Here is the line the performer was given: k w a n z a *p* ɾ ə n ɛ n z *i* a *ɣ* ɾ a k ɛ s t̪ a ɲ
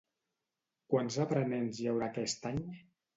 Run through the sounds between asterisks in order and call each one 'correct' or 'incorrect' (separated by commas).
correct, incorrect, incorrect